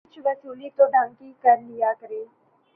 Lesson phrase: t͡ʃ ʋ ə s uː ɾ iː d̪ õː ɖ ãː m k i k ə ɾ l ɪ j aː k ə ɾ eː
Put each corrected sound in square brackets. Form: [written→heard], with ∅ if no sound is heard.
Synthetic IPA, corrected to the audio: t͡ʃ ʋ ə s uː [ɾ→l] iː [d̪→t̪] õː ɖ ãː [m→ŋ] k i k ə ɾ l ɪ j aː k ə ɾ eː